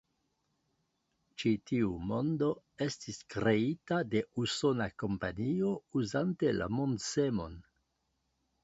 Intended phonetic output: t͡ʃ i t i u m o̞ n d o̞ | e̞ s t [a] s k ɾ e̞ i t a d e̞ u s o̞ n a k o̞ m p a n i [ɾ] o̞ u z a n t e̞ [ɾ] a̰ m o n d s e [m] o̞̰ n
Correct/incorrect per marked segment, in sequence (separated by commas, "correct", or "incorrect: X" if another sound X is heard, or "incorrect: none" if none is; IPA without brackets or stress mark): incorrect: i, incorrect: none, incorrect: l, correct